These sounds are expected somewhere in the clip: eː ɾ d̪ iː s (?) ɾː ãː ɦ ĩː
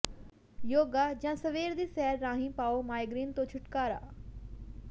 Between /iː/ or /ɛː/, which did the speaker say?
ɛː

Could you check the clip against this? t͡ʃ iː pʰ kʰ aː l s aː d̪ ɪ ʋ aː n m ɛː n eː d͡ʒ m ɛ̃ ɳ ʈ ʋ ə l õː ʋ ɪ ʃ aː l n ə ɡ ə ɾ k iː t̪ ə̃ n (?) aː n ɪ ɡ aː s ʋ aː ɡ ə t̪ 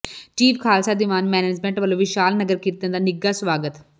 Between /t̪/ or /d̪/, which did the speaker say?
d̪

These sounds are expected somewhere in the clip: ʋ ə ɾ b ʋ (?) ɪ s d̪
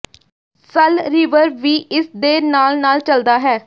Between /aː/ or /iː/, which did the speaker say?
iː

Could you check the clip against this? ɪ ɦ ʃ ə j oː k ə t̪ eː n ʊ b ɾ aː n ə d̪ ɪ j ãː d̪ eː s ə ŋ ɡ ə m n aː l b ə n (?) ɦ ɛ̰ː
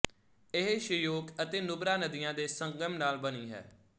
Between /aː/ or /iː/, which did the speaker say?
iː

